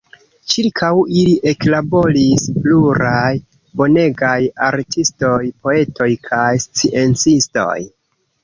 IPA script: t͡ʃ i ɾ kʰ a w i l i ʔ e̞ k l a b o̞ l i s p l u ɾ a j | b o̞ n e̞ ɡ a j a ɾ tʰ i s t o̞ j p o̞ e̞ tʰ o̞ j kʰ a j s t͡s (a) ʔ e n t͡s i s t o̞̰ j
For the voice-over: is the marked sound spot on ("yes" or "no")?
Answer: no